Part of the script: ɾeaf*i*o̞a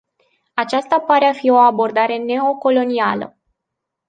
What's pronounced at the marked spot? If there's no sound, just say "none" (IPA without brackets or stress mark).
i